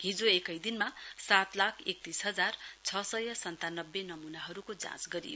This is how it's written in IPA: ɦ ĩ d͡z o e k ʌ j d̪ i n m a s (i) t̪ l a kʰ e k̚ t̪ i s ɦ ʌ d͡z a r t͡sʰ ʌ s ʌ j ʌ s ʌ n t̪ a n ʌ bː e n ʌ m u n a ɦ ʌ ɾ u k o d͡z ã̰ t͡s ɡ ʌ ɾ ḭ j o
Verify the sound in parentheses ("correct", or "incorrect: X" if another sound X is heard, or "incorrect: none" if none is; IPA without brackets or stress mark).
incorrect: a